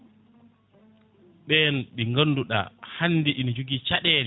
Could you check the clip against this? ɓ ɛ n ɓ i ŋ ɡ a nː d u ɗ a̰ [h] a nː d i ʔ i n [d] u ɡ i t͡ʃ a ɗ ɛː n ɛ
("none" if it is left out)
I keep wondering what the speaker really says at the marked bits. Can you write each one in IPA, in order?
h, d͡ʒ

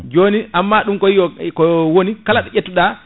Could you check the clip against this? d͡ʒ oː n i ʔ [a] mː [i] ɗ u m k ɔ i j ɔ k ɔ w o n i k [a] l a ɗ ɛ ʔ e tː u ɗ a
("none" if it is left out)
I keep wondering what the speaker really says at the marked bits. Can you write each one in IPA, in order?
a, a, a

